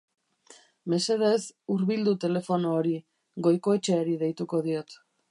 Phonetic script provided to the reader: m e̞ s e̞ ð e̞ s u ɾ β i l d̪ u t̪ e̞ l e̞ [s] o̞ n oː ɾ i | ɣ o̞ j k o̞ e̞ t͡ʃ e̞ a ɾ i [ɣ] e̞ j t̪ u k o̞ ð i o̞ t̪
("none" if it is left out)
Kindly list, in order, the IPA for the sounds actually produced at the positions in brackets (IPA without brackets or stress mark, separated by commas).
f, ð